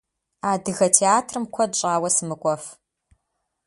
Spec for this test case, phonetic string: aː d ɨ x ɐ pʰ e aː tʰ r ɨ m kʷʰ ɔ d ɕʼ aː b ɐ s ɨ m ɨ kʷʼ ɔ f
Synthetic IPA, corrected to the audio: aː d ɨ ɣ ɐ tʰ e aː tʰ r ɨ m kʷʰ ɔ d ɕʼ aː w ɐ s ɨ m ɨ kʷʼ ɔ f